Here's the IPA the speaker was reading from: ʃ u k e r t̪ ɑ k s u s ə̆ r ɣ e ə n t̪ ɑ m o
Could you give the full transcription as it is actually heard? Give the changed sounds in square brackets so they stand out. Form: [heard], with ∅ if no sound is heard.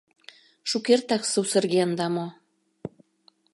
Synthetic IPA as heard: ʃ u k e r t̪ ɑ k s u s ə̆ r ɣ e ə n [d̪] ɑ m o

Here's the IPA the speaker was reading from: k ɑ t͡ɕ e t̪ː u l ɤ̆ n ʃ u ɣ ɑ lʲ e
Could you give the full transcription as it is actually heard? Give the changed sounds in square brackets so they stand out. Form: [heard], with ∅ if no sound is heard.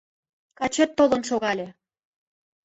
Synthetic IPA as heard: k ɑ t͡ɕ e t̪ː [o] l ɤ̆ n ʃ [o] ɣ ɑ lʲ e

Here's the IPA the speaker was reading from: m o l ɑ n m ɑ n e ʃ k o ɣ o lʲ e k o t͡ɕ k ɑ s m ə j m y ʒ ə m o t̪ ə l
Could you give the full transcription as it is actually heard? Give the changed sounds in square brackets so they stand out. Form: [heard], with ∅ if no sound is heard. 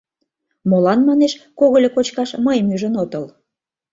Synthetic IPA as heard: m o l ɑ n m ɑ n e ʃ k o ɣ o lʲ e k o t͡ɕ k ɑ [ʃ] m ə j m y ʒ ə [n] o t̪ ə l

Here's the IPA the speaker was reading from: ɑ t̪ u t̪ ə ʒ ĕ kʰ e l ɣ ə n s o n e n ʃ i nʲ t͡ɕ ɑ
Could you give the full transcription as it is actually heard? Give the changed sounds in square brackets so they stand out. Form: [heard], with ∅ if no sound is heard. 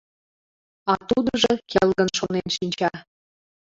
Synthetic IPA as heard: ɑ t̪ u [d̪] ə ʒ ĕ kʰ e l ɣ ə n [ʃ] o n e n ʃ i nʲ t͡ɕ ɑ

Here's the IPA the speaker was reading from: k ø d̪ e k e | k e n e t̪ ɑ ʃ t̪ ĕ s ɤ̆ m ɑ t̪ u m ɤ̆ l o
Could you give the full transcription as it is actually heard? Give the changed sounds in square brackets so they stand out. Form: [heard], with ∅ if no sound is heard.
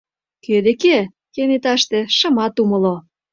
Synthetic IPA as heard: k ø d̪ e k e | k e n e t̪ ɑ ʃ t̪ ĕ [ʃ] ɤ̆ m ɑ t̪ u m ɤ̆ l o

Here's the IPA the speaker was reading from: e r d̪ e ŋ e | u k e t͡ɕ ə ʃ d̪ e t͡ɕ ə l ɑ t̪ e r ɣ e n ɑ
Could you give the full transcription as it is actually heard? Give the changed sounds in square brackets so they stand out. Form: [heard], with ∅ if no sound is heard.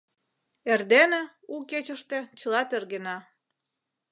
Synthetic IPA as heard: e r d̪ e [n] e | u k e t͡ɕ ə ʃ [t̪] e t͡ɕ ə l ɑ t̪ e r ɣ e n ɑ

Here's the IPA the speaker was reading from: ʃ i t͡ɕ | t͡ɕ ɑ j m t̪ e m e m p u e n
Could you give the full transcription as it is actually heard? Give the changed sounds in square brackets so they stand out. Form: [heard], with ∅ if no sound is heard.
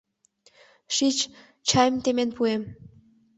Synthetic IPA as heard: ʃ i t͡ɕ | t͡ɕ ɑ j m t̪ e m e [n] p u e [m]

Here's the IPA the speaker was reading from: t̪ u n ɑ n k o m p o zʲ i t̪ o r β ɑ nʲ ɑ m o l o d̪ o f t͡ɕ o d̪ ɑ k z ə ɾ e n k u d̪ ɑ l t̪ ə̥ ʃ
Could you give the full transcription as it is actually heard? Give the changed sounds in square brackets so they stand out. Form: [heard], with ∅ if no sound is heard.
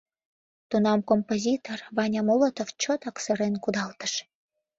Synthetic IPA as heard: t̪ u n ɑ [m] k o m p o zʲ i t̪ o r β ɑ nʲ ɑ m o l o [t̪] o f t͡ɕ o [t̪] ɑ k [s] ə ɾ e n k u d̪ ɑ l t̪ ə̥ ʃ

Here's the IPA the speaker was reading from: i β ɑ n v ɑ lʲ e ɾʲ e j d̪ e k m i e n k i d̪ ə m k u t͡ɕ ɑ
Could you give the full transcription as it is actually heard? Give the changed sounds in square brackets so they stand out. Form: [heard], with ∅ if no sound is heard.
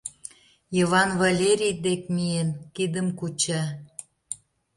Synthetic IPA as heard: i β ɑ n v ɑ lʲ e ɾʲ [i] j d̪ e k m i e n k i d̪ ə m k u t͡ɕ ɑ

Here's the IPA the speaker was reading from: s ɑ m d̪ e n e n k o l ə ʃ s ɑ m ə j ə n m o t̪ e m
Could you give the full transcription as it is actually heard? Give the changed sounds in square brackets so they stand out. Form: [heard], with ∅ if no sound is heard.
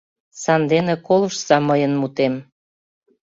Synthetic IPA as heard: s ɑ [n] d̪ e n e [∅] k o l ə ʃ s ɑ m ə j ə n m [u] t̪ e m

